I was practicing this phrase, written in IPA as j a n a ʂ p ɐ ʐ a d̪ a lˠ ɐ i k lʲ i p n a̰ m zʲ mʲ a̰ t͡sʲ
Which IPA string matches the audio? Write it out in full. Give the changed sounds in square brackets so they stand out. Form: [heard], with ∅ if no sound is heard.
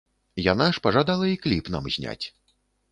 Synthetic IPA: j a n a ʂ p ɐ ʐ a d̪ a lˠ ɐ i k lʲ i p n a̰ m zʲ [nʲ] a̰ t͡sʲ